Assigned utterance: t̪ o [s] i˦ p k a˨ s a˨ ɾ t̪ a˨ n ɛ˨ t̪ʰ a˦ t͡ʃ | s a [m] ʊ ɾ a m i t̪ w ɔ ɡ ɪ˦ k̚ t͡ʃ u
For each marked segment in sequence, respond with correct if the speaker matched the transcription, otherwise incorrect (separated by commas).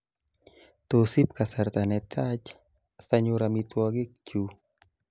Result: correct, incorrect